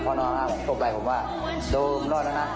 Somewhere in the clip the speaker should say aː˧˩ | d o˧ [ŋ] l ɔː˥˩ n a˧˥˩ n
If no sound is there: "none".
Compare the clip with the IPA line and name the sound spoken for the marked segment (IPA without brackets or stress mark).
m